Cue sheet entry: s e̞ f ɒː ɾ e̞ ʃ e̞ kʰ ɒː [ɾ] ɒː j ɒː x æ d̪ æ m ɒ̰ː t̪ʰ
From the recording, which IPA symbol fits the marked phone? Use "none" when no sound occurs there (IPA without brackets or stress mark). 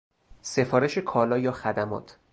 l